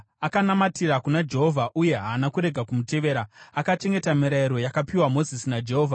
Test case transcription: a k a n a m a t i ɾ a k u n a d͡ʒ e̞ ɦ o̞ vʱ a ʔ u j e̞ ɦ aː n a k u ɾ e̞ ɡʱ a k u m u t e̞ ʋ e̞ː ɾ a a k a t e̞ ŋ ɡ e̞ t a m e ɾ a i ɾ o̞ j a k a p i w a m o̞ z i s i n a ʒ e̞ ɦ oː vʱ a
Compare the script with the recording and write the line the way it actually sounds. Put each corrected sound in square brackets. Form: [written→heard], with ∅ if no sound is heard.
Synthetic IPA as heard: a k a n a m a t i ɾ a k u n a d͡ʒ e̞ ɦ o̞ vʱ a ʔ u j e̞ ɦ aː n a k u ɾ e̞ ɡʱ a k u m u t e̞ ʋ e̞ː ɾ a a k a [t→t͡ʃ] e̞ ŋ ɡ e̞ t a m [e→i] ɾ a i ɾ o̞ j a k a p i w a m o̞ z i s i n a [ʒ→d͡ʒ] e̞ ɦ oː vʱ a